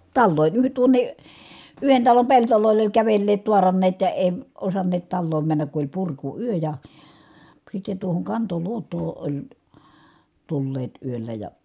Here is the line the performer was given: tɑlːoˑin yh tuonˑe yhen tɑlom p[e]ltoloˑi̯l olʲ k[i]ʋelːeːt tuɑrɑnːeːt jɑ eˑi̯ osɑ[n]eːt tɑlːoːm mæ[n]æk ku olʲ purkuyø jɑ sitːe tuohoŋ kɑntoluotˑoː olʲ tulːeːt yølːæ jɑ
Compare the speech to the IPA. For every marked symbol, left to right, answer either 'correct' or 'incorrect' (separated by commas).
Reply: correct, incorrect, incorrect, incorrect